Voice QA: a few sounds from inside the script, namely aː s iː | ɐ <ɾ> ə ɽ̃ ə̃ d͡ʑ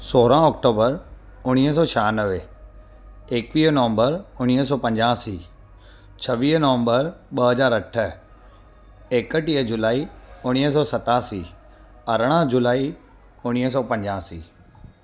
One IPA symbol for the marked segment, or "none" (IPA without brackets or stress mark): ɾ